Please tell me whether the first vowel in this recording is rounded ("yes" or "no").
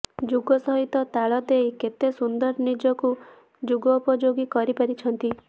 yes